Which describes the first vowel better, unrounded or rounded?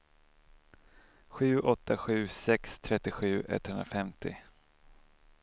rounded